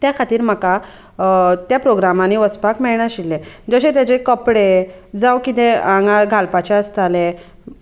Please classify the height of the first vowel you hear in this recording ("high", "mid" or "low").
low